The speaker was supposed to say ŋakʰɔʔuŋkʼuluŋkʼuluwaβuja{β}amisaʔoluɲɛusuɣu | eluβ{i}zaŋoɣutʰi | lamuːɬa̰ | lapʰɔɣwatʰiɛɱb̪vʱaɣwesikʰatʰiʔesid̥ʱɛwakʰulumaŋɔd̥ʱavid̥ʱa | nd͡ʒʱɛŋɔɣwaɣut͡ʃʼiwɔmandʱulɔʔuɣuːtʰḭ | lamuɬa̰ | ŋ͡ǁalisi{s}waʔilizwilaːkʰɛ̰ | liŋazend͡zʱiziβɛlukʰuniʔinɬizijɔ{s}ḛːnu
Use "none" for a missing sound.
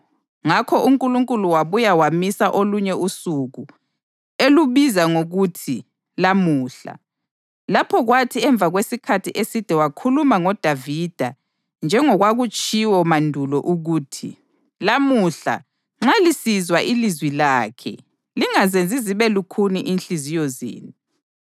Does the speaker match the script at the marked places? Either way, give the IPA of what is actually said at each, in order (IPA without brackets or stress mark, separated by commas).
w, i, z, z